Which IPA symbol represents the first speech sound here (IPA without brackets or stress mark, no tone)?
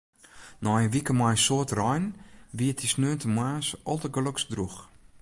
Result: n